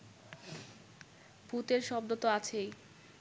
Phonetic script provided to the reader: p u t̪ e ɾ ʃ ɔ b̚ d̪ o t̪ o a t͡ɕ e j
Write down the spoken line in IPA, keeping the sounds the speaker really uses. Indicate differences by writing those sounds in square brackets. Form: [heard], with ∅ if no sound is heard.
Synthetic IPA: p u t̪ e ɾ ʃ ɔ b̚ d̪ o t̪ o a [t͡ɕʰ] e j

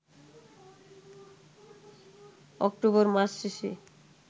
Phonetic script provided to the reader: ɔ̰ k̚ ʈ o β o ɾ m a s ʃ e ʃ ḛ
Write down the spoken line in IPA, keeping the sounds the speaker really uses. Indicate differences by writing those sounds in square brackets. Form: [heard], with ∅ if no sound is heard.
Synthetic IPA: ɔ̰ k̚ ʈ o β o ɾ m a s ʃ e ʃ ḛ

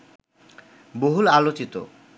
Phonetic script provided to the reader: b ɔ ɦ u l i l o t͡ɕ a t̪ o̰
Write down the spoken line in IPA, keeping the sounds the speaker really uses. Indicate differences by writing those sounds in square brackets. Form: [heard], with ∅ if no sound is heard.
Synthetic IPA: b [o] ɦ u l [a] l o t͡ɕ [i] t̪ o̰

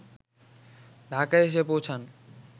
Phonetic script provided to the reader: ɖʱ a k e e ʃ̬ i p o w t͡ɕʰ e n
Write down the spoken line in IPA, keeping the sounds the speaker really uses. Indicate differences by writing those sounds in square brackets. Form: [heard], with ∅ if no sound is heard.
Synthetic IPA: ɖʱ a k [a] e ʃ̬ [e] p o w t͡ɕʰ [a] n

